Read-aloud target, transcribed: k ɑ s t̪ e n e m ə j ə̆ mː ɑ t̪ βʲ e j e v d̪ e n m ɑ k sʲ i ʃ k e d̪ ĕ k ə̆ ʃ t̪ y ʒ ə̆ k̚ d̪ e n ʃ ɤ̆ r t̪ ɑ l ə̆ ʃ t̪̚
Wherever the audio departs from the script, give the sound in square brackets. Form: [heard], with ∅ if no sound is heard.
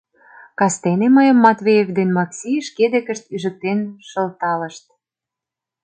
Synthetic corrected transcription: k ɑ s t̪ e n e m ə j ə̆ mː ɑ t̪ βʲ e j e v d̪ e n m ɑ k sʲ i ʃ k e d̪ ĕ k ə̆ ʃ t̪ y ʒ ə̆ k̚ [t̪] e n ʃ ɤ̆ [l] t̪ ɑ l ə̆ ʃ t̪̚